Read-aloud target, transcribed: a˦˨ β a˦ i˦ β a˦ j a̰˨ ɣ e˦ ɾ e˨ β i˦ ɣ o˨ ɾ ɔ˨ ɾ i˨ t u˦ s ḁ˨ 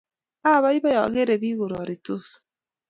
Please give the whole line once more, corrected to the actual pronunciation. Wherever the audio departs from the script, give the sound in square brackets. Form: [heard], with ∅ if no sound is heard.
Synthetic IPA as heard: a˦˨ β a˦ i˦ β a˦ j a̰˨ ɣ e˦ ɾ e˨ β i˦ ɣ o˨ ɾ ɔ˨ ɾ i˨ t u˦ s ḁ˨